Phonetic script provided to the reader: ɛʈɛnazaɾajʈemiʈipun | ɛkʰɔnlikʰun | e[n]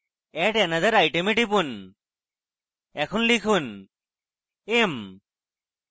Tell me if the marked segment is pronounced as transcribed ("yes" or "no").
no